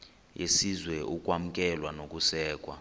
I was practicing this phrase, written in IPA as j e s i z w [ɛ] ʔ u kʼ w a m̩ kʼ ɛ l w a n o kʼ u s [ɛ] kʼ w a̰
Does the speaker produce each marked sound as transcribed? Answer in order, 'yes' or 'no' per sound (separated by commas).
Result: yes, no